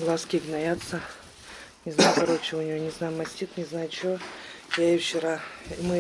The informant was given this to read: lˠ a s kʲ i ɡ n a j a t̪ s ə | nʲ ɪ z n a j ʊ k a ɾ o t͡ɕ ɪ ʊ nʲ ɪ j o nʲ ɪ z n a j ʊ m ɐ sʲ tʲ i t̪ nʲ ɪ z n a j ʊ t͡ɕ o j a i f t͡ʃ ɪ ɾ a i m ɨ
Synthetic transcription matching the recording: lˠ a s kʲ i ɡ n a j a t̪ s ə | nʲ ɪ z n a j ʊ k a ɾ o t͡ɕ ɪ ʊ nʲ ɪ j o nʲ ɪ z n a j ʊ m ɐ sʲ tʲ i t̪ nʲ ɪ z n a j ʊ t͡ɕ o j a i f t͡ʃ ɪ ɾ a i m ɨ